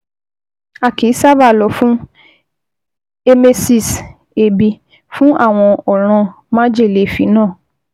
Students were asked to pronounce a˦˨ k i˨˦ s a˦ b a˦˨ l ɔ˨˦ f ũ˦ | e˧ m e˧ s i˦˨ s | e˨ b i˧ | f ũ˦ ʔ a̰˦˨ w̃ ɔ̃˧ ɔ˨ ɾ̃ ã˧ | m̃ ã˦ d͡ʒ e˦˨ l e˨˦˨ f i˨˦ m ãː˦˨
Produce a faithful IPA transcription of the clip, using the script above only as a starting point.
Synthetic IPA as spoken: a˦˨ k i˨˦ s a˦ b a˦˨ l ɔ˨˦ f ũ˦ | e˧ m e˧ s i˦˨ s | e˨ b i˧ | f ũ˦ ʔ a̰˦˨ w̃ ɔ̃˧ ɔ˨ ɾ̃ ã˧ | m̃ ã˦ d͡ʒ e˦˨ l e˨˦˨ f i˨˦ n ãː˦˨

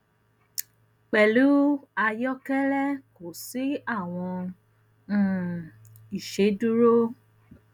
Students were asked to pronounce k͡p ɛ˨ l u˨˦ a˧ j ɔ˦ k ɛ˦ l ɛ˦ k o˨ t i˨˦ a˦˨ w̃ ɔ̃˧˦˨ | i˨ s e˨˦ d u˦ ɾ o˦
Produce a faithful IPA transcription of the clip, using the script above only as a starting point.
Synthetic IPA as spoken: k͡p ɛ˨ l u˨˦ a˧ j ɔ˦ k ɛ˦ l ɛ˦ k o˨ s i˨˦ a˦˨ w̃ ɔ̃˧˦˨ | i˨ ʃ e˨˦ d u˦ ɾ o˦

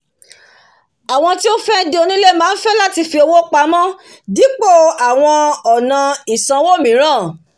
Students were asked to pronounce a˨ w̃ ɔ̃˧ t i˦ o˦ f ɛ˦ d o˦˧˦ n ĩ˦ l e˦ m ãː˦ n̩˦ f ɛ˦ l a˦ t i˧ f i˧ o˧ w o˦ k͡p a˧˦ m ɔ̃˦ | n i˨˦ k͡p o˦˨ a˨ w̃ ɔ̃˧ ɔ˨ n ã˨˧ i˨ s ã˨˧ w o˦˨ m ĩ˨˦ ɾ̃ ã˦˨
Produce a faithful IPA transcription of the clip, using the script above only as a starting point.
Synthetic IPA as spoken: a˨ w̃ ɔ̃˧ t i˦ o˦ f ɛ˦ d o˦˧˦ n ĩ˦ l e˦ m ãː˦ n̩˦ f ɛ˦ l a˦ t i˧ f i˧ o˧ w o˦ k͡p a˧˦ m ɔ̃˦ | d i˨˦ k͡p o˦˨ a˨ w̃ ɔ̃˧ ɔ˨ n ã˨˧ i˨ s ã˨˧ w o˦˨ m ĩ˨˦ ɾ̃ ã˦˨

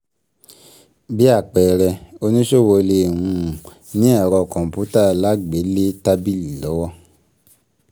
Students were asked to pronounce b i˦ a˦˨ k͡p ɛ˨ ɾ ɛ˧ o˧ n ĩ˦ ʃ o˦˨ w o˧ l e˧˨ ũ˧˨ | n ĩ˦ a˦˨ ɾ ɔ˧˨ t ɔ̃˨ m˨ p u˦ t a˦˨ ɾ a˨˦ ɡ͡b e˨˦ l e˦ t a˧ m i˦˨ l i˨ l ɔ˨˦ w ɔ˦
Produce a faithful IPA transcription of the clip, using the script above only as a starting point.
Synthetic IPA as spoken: b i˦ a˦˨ k͡p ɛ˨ ɾ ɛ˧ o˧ n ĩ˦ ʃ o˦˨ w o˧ l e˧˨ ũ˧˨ | n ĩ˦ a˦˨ ɾ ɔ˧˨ k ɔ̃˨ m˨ p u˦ t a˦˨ l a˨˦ ɡ͡b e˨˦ l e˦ t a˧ b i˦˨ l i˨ l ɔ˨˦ w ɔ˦

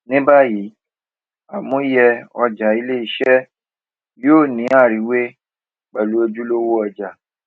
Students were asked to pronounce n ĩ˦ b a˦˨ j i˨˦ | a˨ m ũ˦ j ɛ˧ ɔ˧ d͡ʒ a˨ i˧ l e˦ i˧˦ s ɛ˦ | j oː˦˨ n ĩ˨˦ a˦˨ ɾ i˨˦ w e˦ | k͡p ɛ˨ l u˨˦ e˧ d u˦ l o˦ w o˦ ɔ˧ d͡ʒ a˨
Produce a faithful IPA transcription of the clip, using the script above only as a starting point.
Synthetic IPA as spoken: n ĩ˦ b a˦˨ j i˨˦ | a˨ m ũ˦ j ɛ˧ ɔ˧ d͡ʒ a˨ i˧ l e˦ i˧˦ ʃ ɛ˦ | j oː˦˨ n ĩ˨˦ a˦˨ ɾ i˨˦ w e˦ | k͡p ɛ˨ l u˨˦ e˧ d͡ʒ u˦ l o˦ w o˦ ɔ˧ d͡ʒ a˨

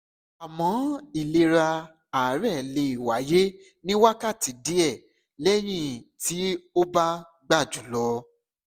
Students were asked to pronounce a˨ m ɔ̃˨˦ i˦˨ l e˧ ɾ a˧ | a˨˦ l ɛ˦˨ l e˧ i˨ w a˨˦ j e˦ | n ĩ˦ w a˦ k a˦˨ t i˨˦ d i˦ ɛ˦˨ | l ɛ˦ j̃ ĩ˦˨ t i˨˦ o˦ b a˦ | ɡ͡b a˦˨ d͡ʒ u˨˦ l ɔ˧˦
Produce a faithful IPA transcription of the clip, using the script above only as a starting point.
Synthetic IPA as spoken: a˨ m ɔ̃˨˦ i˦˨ l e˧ ɾ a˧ | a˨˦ ɾ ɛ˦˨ l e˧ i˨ w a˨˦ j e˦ | n ĩ˦ w a˦ k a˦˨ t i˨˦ d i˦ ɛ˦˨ | l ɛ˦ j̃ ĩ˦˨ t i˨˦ o˦ b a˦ | ɡ͡b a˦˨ d͡ʒ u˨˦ l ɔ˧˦

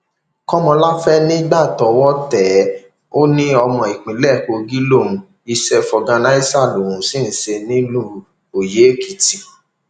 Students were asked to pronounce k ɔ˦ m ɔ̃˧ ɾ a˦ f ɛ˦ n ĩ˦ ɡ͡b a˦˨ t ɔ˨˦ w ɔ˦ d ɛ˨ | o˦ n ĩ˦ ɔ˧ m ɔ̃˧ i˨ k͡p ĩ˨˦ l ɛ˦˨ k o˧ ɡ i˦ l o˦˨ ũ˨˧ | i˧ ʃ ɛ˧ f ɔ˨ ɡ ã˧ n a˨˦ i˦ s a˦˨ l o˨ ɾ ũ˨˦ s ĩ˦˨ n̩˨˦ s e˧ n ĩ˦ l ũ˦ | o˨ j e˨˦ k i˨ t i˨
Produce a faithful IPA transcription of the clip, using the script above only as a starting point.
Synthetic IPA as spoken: k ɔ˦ m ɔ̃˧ l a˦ f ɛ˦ n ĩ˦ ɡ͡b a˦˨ t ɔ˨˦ w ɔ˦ t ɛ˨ | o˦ n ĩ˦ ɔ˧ m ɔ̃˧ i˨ k͡p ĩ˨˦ l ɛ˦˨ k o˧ ɡ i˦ l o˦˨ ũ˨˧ | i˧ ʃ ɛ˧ f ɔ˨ ɡ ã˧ n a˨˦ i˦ s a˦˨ l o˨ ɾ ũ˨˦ s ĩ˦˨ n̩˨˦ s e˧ n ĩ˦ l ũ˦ | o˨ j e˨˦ k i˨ t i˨

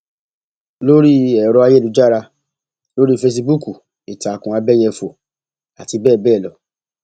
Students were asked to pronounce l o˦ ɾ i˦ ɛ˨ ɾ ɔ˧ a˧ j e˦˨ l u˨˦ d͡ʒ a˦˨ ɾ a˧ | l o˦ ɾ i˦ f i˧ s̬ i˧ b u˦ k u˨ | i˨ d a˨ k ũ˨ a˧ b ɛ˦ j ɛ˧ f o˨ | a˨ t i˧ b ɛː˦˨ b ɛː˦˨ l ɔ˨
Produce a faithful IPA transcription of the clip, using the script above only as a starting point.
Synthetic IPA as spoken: l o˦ ɾ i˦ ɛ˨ ɾ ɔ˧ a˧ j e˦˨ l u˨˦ d͡ʒ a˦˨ ɾ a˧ | l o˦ ɾ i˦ f e˧ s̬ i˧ b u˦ k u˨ | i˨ t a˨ k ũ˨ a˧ b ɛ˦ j ɛ˧ f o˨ | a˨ t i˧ b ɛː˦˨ b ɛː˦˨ l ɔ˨

